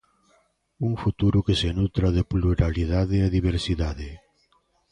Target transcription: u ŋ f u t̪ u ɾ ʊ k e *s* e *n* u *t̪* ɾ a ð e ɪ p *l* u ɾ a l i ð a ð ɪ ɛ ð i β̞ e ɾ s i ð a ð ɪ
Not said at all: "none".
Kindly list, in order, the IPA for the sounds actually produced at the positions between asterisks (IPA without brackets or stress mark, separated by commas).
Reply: s, n, t̪, l